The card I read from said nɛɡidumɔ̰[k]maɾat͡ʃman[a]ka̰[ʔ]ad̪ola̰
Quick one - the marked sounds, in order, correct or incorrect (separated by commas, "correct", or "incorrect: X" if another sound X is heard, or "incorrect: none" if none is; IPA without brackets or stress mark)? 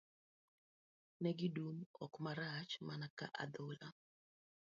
correct, correct, correct